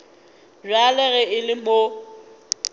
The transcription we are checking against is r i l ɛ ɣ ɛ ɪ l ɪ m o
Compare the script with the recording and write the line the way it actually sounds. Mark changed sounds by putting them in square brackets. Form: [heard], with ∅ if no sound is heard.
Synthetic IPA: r [a] l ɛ ɣ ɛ ɪ l ɪ m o